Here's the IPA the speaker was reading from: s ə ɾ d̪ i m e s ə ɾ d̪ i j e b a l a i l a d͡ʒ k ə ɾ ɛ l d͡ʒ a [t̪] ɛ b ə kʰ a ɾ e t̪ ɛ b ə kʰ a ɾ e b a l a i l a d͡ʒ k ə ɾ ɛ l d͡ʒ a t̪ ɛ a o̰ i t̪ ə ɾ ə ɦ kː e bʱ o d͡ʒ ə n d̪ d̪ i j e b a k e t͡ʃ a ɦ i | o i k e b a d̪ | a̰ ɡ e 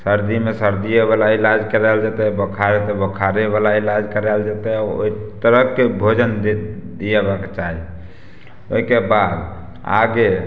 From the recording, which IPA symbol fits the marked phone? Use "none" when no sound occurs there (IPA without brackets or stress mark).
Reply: t̪